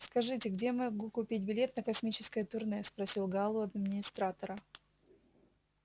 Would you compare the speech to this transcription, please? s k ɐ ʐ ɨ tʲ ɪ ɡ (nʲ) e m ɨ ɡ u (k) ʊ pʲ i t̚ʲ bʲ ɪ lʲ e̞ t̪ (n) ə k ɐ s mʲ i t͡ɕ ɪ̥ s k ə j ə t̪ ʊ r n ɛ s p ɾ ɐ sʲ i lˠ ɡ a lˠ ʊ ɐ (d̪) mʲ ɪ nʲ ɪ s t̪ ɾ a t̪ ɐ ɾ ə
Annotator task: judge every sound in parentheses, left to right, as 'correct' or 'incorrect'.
incorrect: dʲ, correct, correct, correct

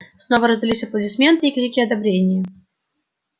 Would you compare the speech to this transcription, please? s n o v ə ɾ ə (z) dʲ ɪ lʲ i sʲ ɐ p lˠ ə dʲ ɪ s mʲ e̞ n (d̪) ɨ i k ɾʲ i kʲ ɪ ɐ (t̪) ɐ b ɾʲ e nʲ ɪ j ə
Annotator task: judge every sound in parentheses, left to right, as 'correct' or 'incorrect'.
correct, incorrect: t̪, incorrect: d̪

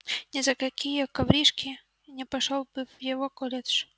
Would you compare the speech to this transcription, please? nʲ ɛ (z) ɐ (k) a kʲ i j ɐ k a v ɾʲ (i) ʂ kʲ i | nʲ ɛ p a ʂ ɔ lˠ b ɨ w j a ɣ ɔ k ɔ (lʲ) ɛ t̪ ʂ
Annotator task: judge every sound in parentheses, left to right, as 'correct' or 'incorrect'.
correct, correct, correct, correct

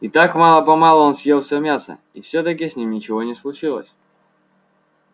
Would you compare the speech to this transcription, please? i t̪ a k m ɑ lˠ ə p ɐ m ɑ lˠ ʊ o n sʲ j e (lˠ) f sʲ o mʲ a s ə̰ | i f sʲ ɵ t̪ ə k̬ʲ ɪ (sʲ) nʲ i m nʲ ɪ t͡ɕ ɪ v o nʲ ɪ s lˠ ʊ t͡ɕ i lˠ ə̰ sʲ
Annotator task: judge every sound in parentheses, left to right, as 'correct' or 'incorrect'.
correct, correct

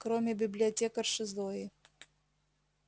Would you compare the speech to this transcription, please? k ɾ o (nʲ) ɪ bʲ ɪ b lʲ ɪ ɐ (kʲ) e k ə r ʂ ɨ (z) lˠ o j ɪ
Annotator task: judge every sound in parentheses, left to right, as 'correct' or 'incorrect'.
incorrect: mʲ, incorrect: tʲ, correct

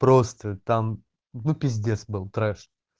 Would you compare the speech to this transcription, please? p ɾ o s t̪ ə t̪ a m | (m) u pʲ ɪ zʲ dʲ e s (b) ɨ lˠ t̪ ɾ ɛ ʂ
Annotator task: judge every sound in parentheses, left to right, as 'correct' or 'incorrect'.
incorrect: n, correct

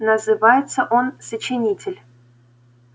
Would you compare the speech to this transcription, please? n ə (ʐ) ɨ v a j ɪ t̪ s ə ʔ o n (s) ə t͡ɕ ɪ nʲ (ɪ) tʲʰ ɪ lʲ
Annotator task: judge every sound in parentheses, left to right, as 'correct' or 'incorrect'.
incorrect: z, correct, incorrect: i

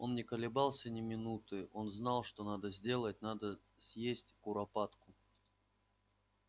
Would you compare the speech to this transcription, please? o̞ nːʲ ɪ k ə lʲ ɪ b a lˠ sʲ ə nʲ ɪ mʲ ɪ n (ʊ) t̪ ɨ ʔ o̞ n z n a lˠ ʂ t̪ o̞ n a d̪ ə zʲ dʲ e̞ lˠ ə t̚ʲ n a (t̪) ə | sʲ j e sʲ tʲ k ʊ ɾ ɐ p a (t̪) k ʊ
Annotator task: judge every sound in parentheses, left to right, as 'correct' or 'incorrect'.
incorrect: u, incorrect: d̪, correct

